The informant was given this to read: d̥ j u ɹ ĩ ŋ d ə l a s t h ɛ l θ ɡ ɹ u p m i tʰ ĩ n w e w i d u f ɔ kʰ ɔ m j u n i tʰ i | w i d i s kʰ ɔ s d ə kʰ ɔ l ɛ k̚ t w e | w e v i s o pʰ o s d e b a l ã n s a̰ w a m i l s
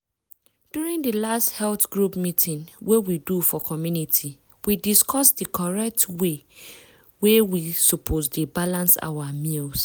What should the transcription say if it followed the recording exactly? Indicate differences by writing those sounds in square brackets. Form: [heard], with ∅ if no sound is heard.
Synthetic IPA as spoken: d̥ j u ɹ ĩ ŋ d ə l a s t h ɛ l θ ɡ ɹ u p m i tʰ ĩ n w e w i d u f ɔ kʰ ɔ m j u n i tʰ i | w i d i s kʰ ɔ s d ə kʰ ɔ [ɹ] ɛ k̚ t w e | w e [w] i s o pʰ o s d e b a l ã n s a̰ w a m i l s